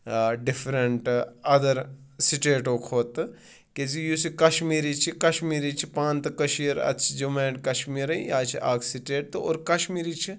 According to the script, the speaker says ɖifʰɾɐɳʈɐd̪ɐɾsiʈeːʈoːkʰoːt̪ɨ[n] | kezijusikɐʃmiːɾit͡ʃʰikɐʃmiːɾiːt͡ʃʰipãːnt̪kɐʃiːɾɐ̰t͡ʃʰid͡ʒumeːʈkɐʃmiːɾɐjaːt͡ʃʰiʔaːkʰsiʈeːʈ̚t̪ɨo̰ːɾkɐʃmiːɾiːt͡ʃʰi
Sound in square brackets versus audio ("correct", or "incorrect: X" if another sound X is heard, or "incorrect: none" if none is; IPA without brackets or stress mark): incorrect: none